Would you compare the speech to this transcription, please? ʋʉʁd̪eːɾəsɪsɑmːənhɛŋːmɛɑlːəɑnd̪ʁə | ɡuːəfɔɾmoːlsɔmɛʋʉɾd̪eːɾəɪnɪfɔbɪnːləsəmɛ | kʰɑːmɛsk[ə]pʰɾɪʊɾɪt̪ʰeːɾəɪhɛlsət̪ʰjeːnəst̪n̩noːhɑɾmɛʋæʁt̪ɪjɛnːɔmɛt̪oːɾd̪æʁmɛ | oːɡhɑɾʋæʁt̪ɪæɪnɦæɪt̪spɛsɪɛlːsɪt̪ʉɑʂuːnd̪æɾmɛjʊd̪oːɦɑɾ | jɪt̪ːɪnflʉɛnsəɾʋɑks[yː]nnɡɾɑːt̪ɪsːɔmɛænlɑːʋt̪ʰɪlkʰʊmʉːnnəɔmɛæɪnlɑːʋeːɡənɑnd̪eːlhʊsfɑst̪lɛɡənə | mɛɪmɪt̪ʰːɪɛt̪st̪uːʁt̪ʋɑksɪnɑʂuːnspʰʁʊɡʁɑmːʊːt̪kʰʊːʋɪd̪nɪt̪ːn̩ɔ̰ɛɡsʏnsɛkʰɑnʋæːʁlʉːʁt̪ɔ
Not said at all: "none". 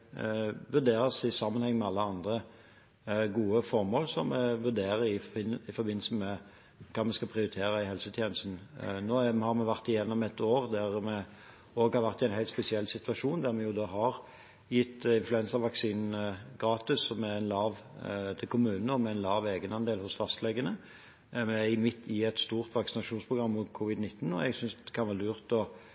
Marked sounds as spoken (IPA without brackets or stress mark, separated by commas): ɑ, iː